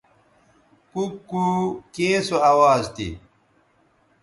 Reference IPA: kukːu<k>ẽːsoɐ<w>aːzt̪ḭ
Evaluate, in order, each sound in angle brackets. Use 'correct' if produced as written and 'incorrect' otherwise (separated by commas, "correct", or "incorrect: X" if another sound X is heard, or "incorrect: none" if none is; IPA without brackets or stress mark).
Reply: correct, correct